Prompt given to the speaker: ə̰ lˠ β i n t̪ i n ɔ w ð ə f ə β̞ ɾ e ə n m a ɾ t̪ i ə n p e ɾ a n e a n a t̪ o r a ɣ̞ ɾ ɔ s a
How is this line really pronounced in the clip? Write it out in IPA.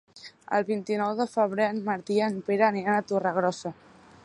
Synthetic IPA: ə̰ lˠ β i n t̪ i n ɔ w ð ə f ə β̞ ɾ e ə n m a ɾ t̪ i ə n p e ɾ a n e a n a t̪ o r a ɣ̞ ɾ ɔ s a

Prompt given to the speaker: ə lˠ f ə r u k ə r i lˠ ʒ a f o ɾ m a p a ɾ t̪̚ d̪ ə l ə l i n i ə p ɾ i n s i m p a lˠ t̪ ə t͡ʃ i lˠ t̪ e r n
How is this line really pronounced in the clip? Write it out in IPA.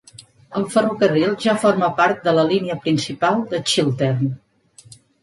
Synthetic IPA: ə lˠ f ə r u k ə r i lˠ ʒ a f o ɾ m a p a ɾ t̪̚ d̪ ə l ə l i n i ə p ɾ i n s i p a lˠ d̪ ə t͡ʃ i lˠ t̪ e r n

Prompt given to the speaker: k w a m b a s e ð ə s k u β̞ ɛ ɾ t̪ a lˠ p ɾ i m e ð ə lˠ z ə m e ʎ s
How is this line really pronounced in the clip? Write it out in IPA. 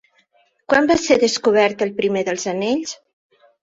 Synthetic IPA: k w a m b a s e ð ə s k u β̞ ɛ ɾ t̪ ə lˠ p ɾ i m e ð ə lˠ z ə n e ʎ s

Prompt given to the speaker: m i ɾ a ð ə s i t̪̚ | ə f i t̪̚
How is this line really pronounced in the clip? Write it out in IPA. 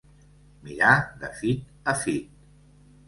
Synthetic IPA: m i ɾ a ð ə f i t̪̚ | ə f i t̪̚

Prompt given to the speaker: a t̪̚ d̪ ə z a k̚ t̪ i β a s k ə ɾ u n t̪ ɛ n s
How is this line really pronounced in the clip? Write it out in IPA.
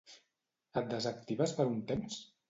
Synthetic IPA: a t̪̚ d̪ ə z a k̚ t̪ i β a s p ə ɾ u n t̪ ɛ m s

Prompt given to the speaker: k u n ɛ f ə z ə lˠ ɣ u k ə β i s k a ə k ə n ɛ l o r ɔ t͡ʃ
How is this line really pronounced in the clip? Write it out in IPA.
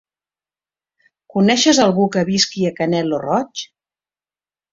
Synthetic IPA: k u n ɛ ʃ ə z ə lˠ ɣ u k ə β i s k i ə k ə n ɛ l o r ɔ t͡ʃ

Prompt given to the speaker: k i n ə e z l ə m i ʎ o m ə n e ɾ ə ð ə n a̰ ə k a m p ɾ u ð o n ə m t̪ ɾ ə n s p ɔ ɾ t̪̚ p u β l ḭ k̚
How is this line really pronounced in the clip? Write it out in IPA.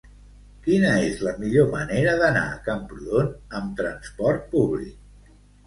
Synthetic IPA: k i n ə e z l ə m i ʎ o m ə n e ɾ ə ð ə n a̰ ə k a m p ɾ u ð o n ə m t̪ ɾ ə n s p ɔ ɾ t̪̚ p u β l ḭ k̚

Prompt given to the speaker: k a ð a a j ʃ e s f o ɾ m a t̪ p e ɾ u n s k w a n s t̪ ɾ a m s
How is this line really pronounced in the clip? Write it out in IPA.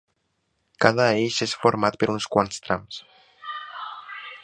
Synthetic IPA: k a ð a e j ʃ e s f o ɾ m a t̪ p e ɾ u n s k w a n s t̪ ɾ a m s

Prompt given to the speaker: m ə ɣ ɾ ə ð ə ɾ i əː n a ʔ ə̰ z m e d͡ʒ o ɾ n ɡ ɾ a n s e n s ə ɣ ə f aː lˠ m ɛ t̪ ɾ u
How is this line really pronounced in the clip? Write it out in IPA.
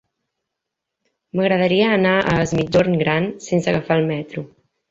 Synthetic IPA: m ə ɣ ɾ ə ð ə ɾ i əː n a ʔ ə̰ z m i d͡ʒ o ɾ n ɡ ɾ a n s e n s ə ɣ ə f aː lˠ m ɛ t̪ ɾ u

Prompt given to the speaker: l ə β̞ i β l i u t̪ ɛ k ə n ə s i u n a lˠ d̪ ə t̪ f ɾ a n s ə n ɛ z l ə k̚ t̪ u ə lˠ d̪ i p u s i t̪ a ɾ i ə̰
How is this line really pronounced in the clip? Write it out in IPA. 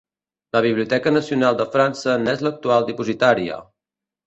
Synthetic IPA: l ə β̞ i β l i u t̪ ɛ k ə n ə s i u n a lˠ d̪ ə f ɾ a n s ə n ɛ z l ə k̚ t̪ u a lˠ d̪ i p u z i t̪ a ɾ i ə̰

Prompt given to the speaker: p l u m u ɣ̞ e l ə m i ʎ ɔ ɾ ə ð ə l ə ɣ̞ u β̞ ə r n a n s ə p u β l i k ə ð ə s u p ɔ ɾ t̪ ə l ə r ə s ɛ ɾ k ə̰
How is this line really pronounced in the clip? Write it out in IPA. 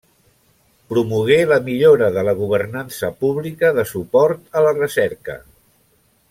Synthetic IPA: p ɾ u m u ɣ̞ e l ə m i ʎ o ɾ ə ð ə l ə ɣ̞ u β̞ ə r n a n s ə p u β l i k ə ð ə s u p ɔ ɾ t̪ ə l ə r ə s ɛ ɾ k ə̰

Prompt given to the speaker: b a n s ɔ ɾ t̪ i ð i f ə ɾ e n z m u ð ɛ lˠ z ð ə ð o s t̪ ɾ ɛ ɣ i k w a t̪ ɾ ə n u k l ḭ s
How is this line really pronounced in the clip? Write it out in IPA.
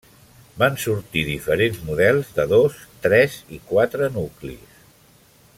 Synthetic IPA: b a n s u ɾ t̪ i ð i f ə ɾ e n z m u ð ɛ lˠ z ð ə ð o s t̪ ɾ ɛ z i k w a t̪ ɾ ə n u k l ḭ s

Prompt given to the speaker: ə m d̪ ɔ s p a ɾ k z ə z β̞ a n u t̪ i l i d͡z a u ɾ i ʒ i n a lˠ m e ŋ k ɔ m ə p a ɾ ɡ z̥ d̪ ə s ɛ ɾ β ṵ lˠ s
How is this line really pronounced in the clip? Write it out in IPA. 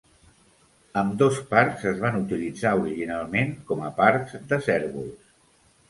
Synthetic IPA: ə m d̪ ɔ s p a ɾ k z ə z β̞ a n u t̪ i l i d͡z a u ɾ i ʒ i n a lˠ m e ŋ k ɔ m ə p a ɾ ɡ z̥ d̪ ə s ɛ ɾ β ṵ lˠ s

